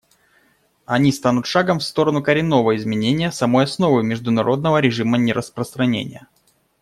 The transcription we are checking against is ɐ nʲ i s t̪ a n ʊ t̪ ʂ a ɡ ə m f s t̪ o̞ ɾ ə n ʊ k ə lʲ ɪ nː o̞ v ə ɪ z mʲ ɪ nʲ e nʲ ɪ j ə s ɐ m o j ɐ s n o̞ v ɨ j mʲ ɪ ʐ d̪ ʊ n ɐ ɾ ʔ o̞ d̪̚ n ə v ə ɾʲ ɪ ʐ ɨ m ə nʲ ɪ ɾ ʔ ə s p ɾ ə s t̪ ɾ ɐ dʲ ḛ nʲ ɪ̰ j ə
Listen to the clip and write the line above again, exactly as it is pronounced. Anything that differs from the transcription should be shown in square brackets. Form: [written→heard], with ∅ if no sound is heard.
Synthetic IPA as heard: ɐ nʲ i s t̪ a n ʊ t̪ ʂ a ɡ ə m f s t̪ o̞ ɾ ə n ʊ k ə [lʲ→ɾʲ] ɪ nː o̞ v ə ɪ z mʲ ɪ nʲ e nʲ ɪ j ə s ɐ m o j ɐ s n o̞ v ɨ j mʲ ɪ ʐ d̪ ʊ n ɐ ɾ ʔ o̞ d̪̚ n ə v ə ɾʲ ɪ ʐ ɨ m ə nʲ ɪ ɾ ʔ ə s p ɾ ə s t̪ ɾ ɐ [dʲ→nʲ] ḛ nʲ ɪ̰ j ə

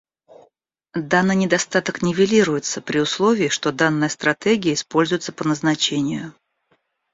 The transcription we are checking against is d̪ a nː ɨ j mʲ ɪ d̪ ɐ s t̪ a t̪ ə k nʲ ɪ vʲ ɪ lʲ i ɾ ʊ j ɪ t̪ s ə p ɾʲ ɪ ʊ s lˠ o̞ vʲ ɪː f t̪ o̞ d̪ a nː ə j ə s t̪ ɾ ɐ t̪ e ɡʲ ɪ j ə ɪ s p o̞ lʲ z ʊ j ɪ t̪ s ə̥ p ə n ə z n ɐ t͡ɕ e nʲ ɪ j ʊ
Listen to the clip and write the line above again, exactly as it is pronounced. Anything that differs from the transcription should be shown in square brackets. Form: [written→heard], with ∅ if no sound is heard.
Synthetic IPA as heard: d̪ a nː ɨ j [mʲ→nʲ] ɪ d̪ ɐ s t̪ a t̪ ə k nʲ ɪ vʲ ɪ lʲ i ɾ ʊ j ɪ t̪ s ə p ɾʲ ɪ ʊ s lˠ o̞ vʲ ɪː [f→ʂ] t̪ o̞ d̪ a nː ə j ə s t̪ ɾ ɐ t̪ e ɡʲ ɪ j ə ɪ s p o̞ lʲ z ʊ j ɪ t̪ s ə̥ p ə n ə z n ɐ t͡ɕ e nʲ ɪ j ʊ

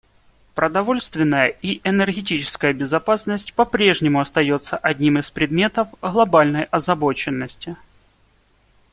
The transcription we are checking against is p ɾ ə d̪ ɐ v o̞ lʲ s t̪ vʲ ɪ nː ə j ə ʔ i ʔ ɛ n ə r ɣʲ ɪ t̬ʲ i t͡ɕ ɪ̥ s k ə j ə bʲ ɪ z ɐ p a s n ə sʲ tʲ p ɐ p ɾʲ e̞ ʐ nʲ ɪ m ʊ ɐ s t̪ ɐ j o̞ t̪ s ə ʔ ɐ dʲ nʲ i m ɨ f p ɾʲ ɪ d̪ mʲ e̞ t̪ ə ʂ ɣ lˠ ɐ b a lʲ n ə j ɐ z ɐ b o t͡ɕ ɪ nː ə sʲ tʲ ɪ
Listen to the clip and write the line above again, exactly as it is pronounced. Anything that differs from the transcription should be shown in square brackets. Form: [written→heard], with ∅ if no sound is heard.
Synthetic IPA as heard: p ɾ ə d̪ ɐ v o̞ lʲ s t̪ vʲ ɪ nː ə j ə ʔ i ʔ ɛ n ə r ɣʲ ɪ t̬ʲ i t͡ɕ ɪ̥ s k ə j ə bʲ ɪ z ɐ p a s n ə sʲ tʲ p ɐ p ɾʲ e̞ ʐ nʲ ɪ m ʊ ɐ s t̪ ɐ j o̞ t̪ s ə ʔ ɐ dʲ nʲ i m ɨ [f→s] p ɾʲ ɪ d̪ mʲ e̞ t̪ ə [ʂ→f] ɣ lˠ ɐ b a lʲ n ə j ɐ z ɐ b o t͡ɕ ɪ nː ə sʲ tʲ ɪ

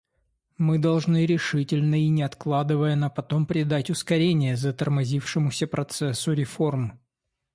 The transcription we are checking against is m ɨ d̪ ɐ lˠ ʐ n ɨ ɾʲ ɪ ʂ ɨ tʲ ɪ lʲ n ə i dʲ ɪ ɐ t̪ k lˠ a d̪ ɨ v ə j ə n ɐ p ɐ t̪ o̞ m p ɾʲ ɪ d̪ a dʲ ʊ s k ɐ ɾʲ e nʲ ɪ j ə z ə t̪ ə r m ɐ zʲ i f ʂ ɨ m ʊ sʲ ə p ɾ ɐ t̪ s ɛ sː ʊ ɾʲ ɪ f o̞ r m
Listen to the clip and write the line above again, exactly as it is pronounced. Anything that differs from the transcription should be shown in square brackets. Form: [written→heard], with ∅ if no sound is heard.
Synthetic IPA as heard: m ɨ d̪ ɐ lˠ ʐ n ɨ ɾʲ ɪ ʂ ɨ tʲ ɪ lʲ n ə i [dʲ→nʲ] ɪ ɐ t̪ k lˠ a d̪ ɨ v ə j ə n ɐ p ɐ t̪ o̞ m p ɾʲ ɪ d̪ a [dʲ→tʲ] ʊ s k ɐ ɾʲ e nʲ ɪ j ə z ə t̪ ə r m ɐ zʲ i f ʂ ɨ m ʊ sʲ ə p ɾ ɐ t̪ s ɛ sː ʊ ɾʲ ɪ f o̞ r m

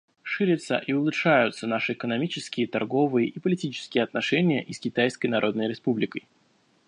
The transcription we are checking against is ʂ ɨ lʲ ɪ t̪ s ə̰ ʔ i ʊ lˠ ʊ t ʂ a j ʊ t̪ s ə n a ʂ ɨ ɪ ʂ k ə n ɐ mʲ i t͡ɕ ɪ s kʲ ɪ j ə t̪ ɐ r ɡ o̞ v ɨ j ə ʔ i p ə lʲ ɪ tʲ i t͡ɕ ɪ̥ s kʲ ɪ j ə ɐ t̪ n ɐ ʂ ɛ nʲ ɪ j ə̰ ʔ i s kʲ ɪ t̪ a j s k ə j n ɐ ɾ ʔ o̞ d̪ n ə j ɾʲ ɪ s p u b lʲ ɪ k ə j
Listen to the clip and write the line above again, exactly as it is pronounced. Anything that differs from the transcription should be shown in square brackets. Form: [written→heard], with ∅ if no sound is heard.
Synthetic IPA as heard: ʂ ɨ [lʲ→ɾʲ] ɪ t̪ s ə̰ ʔ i ʊ lˠ ʊ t ʂ a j ʊ t̪ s ə n a ʂ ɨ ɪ [ʂ→∅] k ə n ɐ mʲ i t͡ɕ ɪ s kʲ ɪ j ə t̪ ɐ r ɡ o̞ v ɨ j ə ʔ i p ə lʲ ɪ tʲ i t͡ɕ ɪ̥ s kʲ ɪ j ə ɐ t̪ n ɐ ʂ ɛ nʲ ɪ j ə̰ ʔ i s kʲ ɪ t̪ a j s k ə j n ɐ ɾ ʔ o̞ d̪ n ə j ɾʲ ɪ s p u b lʲ ɪ k ə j

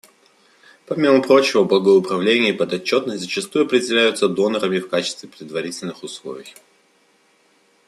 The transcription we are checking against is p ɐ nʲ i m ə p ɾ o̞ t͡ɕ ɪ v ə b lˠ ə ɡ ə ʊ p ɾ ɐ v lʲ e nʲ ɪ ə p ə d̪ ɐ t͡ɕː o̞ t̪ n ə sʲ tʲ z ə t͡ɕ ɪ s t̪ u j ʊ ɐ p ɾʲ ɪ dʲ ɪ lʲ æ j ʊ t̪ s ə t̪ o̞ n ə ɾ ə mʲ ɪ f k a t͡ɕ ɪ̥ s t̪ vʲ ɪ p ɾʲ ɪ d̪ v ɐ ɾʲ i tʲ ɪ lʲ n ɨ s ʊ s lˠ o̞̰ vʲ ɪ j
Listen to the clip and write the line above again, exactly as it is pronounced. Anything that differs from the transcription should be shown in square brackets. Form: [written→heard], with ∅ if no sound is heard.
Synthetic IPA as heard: p ɐ [nʲ→mʲ] i m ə p ɾ o̞ t͡ɕ ɪ v ə b lˠ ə ɡ ə ʊ p ɾ ɐ v lʲ e nʲ ɪ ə p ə d̪ ɐ t͡ɕː o̞ t̪ n ə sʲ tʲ z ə t͡ɕ ɪ s t̪ u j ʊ ɐ p ɾʲ ɪ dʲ ɪ lʲ æ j ʊ t̪ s ə [t̪→d̪] o̞ n ə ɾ ə mʲ ɪ f k a t͡ɕ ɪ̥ s t̪ vʲ ɪ p ɾʲ ɪ d̪ v ɐ ɾʲ i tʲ ɪ lʲ n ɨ [s→x] ʊ s lˠ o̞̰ vʲ ɪ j

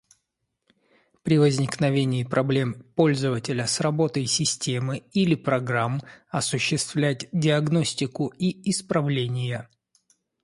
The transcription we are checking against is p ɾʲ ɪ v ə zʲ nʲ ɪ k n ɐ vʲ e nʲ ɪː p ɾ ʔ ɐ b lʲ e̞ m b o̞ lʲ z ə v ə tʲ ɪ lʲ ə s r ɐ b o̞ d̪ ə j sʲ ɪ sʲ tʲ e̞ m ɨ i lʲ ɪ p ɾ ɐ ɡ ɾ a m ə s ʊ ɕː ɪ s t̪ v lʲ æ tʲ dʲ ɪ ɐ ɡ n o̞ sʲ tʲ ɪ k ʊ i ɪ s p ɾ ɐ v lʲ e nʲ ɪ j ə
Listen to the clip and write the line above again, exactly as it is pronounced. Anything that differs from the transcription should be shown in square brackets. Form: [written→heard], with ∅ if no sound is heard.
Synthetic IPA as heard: p ɾʲ ɪ v ə zʲ nʲ ɪ k n ɐ vʲ e nʲ ɪː p ɾ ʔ ɐ b lʲ e̞ m [b→p] o̞ lʲ z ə v ə tʲ ɪ lʲ ə s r ɐ b o̞ [d̪→t̪] ə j sʲ ɪ sʲ tʲ e̞ m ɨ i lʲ ɪ p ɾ ɐ ɡ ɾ a m [ə→ɐ] s ʊ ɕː ɪ s t̪ v lʲ æ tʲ dʲ ɪ ɐ ɡ n o̞ sʲ tʲ ɪ k ʊ i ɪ s p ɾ ɐ v lʲ e nʲ ɪ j ə

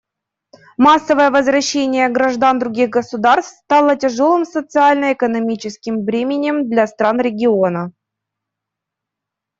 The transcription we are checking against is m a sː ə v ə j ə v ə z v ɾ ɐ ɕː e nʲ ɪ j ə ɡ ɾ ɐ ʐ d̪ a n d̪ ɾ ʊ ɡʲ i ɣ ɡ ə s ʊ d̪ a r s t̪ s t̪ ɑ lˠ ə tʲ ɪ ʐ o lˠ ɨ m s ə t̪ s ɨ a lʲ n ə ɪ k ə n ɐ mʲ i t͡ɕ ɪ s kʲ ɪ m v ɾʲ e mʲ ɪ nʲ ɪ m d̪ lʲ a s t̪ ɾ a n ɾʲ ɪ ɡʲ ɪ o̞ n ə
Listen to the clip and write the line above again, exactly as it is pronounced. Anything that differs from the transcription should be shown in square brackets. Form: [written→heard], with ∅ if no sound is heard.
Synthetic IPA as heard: m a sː ə v ə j ə v ə z v ɾ ɐ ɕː e nʲ ɪ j ə ɡ ɾ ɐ ʐ d̪ a n d̪ ɾ ʊ ɡʲ i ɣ ɡ ə s ʊ d̪ a r s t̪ s t̪ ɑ lˠ ə tʲ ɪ ʐ o lˠ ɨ m s ə t̪ s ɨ a lʲ n ə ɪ k ə n ɐ mʲ i t͡ɕ ɪ s kʲ ɪ m v ɾʲ e mʲ ɪ nʲ ɪ m d̪ lʲ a s t̪ ɾ a n ɾʲ ɪ ɡʲ ɪ o̞ n ə

